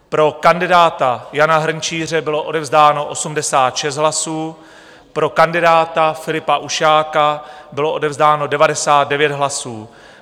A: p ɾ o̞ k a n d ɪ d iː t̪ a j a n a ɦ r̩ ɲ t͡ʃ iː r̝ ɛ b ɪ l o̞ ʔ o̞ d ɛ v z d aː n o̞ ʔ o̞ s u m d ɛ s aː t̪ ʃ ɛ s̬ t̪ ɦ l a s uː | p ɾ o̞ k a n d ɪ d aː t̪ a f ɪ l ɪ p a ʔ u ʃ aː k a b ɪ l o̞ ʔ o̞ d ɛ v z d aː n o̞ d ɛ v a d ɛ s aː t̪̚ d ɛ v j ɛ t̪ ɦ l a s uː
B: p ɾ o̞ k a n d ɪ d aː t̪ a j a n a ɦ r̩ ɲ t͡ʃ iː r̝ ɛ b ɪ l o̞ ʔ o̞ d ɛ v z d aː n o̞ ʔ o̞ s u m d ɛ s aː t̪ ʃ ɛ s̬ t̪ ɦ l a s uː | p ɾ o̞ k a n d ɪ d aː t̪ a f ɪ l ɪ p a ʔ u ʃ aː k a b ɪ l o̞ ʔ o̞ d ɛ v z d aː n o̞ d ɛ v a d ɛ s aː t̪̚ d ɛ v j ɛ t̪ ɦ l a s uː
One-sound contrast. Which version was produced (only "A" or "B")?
B